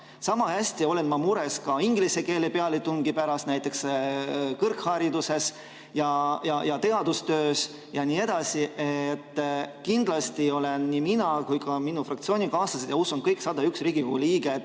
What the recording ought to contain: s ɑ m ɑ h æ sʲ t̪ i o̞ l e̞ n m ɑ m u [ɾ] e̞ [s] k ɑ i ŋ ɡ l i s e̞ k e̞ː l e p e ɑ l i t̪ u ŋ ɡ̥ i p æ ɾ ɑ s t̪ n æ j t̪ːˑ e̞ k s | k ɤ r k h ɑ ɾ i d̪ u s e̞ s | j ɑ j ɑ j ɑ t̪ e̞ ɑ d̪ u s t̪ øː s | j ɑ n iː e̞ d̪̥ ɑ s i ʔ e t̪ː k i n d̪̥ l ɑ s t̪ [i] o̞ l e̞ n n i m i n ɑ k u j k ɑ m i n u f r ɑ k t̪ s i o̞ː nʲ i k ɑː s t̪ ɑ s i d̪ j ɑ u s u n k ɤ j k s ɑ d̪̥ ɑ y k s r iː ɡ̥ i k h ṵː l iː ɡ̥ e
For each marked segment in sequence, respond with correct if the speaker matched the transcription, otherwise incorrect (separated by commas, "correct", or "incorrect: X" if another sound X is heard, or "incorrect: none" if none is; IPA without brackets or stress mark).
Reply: correct, correct, correct